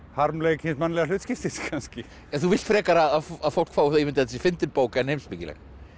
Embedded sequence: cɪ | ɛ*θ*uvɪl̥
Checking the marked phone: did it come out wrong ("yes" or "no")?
no